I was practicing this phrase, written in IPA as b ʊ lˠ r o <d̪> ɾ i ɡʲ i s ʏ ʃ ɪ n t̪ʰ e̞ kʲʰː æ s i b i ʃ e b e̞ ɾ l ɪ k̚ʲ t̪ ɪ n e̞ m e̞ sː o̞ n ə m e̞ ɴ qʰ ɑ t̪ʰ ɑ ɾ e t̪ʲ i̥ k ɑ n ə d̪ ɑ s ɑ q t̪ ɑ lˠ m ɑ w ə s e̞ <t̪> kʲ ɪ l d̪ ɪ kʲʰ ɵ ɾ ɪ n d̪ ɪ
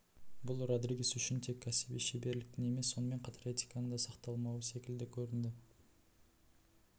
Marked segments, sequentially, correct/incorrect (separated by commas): correct, incorrect